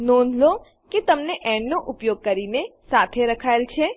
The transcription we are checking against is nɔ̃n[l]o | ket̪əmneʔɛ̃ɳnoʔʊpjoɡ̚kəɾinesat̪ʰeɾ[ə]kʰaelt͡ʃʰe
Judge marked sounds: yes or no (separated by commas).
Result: yes, yes